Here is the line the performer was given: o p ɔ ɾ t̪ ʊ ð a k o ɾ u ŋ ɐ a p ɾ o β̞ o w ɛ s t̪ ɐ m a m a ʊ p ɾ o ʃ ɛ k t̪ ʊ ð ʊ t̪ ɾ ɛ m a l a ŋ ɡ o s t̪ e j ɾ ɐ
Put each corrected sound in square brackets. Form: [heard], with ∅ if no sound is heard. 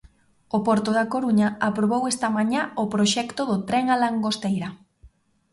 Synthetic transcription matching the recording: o p ɔ ɾ t̪ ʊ ð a k o ɾ u [ɲ] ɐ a p ɾ o β̞ o w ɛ s t̪ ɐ m a [ɲ] a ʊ p ɾ o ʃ ɛ k t̪ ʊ ð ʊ t̪ ɾ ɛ [ŋ] a l a ŋ ɡ o s t̪ e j ɾ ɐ